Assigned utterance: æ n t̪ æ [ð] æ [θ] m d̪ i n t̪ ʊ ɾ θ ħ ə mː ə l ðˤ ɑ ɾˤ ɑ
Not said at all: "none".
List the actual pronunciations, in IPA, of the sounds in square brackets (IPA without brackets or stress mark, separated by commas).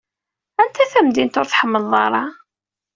θ, none